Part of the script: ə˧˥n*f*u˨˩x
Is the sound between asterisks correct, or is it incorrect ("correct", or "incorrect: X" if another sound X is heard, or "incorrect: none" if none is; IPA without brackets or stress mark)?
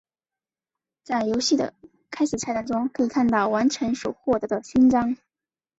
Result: incorrect: ʂ